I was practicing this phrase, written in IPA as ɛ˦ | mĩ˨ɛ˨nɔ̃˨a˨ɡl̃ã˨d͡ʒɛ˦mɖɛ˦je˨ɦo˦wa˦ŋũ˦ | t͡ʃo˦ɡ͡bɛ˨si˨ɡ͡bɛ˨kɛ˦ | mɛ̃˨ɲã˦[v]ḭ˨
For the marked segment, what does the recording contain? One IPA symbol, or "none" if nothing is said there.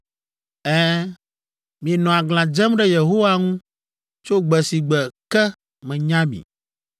b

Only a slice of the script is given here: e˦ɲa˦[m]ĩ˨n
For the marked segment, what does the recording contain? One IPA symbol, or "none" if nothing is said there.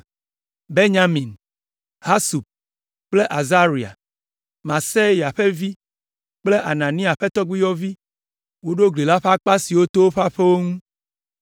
m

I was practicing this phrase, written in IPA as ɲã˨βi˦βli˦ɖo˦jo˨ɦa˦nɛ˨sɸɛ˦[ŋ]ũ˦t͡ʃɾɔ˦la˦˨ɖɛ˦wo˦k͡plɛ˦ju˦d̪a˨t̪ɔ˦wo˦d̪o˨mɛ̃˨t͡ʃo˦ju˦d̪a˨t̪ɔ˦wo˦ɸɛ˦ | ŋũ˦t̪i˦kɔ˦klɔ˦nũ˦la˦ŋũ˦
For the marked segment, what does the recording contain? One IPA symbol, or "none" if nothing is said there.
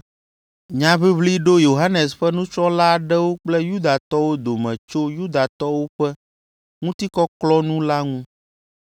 n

